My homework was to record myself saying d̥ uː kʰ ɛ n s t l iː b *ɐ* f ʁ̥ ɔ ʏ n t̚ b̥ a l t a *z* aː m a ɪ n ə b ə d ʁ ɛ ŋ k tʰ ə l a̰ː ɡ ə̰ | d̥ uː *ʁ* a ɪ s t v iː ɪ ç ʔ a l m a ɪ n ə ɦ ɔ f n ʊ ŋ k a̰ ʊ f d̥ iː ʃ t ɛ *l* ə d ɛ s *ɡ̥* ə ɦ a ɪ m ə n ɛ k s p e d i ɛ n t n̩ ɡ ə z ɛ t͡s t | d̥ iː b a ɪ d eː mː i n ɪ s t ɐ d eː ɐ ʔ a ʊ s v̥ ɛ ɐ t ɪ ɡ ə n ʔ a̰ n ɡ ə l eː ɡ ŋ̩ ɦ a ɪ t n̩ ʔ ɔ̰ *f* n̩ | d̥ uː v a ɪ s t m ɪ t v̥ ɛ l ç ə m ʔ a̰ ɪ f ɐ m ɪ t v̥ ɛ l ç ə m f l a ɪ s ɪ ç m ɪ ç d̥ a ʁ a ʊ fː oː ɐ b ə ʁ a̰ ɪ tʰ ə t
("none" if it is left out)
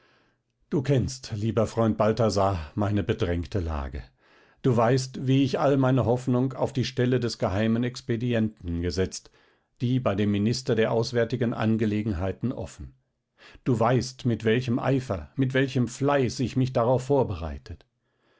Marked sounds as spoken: ɐ, z, v, l, ɡ̥, f

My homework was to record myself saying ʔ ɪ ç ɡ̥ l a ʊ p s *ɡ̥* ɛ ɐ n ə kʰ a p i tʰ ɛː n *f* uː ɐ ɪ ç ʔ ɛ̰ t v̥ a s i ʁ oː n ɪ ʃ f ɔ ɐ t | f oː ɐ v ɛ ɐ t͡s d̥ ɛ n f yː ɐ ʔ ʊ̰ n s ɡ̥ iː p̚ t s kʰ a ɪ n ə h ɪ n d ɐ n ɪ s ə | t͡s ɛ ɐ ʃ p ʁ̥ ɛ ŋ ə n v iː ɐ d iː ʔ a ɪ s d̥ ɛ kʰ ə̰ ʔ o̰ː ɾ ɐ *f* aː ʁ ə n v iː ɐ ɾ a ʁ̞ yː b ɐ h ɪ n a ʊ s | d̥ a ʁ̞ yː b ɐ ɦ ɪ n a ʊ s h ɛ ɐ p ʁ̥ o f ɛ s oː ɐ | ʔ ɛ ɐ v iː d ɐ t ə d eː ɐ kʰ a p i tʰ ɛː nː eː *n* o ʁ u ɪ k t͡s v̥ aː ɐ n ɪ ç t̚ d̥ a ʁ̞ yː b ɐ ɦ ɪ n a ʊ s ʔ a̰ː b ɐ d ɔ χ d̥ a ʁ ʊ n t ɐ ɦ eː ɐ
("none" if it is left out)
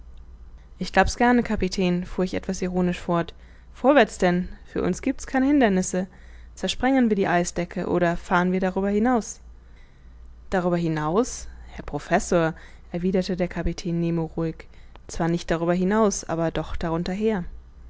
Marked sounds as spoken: ɡ̥, f, f, m

